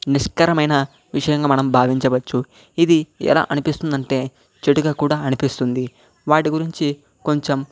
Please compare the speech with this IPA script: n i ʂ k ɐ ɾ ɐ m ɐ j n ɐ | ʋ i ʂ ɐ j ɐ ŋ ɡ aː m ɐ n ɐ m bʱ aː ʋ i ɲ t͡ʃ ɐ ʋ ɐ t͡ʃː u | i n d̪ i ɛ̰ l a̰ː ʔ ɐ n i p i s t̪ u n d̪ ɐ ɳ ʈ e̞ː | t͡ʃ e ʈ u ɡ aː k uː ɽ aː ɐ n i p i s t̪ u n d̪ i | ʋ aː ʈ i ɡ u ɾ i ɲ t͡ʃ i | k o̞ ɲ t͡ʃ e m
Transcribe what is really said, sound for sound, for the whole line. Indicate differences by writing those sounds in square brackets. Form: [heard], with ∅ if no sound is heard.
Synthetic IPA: n i ʂ k ɐ ɾ ɐ m ɐ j n ɐ | ʋ i ʂ ɐ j ɐ ŋ ɡ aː m ɐ n ɐ m bʱ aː ʋ i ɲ t͡ʃ ɐ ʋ ɐ t͡ʃː u | i [∅] d̪ i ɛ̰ l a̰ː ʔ ɐ n i p i s t̪ u n d̪ ɐ ɳ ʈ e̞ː | t͡ʃ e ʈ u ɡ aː k uː ɽ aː ɐ n i p i s t̪ u n d̪ i | ʋ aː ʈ i ɡ u ɾ i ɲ t͡ʃ i | k o̞ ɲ t͡ʃ e m